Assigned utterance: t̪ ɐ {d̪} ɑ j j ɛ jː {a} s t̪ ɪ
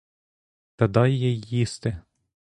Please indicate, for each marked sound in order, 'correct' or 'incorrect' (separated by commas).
correct, incorrect